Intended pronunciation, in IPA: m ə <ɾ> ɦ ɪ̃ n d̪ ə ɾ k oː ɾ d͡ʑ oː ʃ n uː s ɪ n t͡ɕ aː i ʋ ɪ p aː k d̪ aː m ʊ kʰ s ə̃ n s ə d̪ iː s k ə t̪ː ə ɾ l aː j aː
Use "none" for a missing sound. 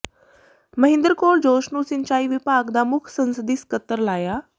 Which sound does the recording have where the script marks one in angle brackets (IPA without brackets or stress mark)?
none